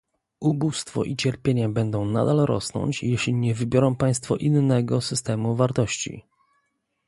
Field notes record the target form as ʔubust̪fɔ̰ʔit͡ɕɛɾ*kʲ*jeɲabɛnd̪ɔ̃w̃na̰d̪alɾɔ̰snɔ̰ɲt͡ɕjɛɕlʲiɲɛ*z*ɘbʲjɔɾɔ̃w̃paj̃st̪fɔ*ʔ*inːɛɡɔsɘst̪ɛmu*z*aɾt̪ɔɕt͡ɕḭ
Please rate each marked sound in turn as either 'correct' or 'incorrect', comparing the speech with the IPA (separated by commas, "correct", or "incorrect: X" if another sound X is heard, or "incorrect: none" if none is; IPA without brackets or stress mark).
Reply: incorrect: pʲ, incorrect: v, correct, incorrect: v